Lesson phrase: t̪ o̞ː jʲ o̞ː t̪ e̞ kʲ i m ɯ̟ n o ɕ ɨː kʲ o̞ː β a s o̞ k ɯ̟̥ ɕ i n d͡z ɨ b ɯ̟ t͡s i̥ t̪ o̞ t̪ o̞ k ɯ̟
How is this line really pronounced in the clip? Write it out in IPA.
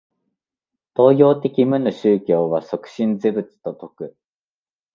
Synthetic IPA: t̪ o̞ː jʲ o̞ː t̪ e̞ kʲ i m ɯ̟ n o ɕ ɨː kʲ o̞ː β a s o̞ k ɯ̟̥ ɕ ĩ n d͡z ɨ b ɯ̟ t͡s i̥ t̪ o̞ t̪ o̞ k ɯ̟